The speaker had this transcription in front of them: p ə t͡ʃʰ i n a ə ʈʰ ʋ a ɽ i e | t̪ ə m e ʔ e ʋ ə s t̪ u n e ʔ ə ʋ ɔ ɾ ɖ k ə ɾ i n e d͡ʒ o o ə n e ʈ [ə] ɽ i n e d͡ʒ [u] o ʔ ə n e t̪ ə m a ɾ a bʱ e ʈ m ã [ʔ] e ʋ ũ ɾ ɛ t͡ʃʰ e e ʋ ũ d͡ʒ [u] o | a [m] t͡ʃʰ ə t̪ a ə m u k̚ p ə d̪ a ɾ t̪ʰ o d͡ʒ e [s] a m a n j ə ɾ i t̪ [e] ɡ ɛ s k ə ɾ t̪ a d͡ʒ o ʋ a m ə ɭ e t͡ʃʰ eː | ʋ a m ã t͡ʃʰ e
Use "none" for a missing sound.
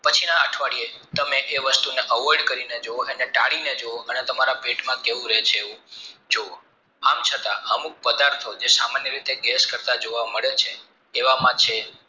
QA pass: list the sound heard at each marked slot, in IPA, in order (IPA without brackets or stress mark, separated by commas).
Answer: a, o, k, o, m, s, e